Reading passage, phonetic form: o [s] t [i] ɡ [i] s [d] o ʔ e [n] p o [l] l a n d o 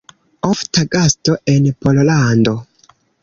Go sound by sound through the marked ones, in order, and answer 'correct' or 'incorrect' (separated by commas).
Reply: incorrect, incorrect, incorrect, incorrect, correct, correct